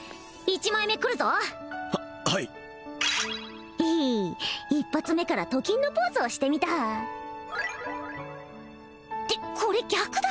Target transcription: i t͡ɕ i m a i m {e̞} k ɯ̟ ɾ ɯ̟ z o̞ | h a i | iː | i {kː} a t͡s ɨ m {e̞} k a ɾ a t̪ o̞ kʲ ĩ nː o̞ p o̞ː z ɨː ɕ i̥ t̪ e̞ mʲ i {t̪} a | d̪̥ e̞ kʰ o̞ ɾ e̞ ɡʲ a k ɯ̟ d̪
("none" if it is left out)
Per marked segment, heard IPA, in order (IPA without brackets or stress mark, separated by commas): e̞, pː, e̞, t̪